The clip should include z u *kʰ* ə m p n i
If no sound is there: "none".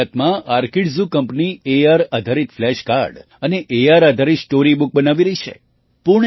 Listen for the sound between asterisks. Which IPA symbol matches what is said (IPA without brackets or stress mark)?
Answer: k